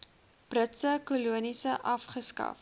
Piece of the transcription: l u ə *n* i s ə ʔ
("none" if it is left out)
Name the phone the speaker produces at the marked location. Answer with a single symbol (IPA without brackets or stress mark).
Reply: n